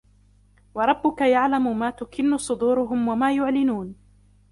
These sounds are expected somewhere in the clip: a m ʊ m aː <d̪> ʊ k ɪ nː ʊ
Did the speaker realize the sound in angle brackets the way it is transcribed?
no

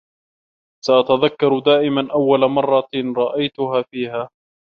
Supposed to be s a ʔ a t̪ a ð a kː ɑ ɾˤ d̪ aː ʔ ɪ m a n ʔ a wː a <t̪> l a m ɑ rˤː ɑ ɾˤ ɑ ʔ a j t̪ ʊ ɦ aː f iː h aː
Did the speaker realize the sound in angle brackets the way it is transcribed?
no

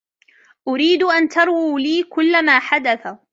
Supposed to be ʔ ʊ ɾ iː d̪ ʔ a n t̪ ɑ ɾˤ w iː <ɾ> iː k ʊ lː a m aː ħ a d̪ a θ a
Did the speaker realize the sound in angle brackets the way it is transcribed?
no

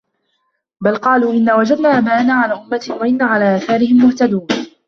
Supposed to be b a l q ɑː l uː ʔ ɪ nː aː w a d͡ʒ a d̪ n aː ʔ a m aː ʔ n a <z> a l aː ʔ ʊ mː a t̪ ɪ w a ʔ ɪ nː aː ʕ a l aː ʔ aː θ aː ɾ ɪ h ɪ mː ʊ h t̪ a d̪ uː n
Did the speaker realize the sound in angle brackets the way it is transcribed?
no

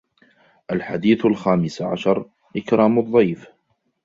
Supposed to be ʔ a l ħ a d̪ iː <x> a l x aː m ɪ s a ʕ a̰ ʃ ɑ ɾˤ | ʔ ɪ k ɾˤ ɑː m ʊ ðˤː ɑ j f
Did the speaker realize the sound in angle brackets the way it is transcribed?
no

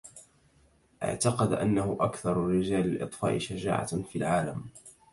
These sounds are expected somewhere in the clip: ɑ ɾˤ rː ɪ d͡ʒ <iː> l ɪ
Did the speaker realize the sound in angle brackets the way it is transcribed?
no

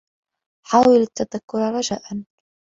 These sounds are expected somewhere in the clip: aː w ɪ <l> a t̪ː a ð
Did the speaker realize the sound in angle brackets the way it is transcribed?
yes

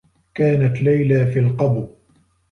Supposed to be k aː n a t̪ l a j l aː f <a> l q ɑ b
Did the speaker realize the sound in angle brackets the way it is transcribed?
no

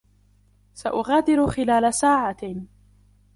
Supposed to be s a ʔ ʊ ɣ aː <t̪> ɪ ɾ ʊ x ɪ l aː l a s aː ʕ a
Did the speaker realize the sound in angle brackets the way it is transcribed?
no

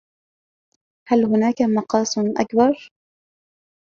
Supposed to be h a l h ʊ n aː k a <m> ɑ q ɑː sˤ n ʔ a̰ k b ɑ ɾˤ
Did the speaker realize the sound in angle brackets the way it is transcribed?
yes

